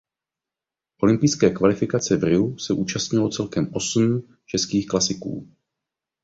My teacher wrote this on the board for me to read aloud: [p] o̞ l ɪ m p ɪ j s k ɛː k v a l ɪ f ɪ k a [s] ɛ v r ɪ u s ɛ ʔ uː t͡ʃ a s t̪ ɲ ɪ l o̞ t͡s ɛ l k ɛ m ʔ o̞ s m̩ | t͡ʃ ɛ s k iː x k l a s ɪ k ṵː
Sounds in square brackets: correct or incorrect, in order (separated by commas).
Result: incorrect, incorrect